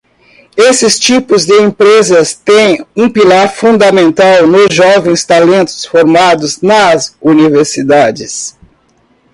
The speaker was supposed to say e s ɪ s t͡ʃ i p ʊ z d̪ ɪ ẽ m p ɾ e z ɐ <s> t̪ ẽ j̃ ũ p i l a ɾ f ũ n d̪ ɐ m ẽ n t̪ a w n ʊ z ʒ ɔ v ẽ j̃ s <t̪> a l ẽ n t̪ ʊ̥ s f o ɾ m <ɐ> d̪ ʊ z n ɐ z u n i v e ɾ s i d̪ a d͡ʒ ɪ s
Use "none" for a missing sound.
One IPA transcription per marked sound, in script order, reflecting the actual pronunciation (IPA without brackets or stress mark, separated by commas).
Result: s, t̪, a